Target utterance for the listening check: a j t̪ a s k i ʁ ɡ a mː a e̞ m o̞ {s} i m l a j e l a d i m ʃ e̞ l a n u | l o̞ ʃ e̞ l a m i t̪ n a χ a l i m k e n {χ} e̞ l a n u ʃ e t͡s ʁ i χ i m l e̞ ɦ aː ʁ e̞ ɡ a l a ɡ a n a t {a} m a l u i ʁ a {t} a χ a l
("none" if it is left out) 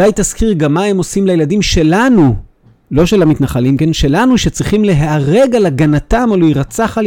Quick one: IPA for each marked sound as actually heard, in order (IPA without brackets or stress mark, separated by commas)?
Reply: s, ʃ, a, t͡s